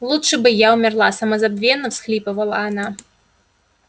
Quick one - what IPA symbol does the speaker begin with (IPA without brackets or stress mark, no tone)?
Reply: lˠ